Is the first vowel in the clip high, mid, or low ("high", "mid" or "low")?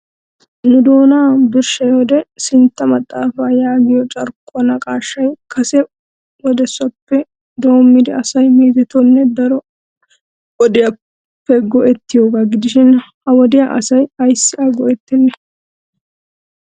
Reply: high